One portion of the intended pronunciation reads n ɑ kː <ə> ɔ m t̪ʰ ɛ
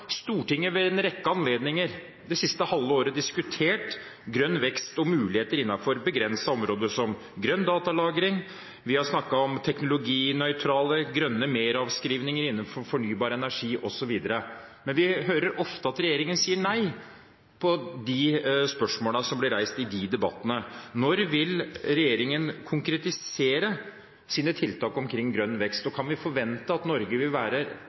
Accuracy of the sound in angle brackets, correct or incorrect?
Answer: incorrect